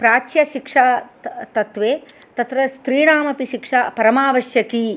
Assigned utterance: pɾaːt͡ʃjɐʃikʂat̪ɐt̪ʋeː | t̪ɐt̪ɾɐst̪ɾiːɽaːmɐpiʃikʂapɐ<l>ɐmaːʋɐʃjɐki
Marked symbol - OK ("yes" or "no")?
no